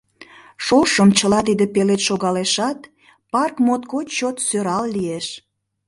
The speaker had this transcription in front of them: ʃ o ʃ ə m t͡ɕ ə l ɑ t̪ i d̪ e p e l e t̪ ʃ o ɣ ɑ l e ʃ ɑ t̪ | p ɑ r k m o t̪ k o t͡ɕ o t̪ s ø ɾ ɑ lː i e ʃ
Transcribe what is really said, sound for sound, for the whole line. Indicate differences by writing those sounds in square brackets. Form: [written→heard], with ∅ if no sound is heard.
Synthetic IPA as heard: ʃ o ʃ ə m t͡ɕ ə l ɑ t̪ i d̪ e p e l e t̪ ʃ o ɣ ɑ l e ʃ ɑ t̪ | p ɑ r k m o t̪ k o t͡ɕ o t̪ s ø ɾ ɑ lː i e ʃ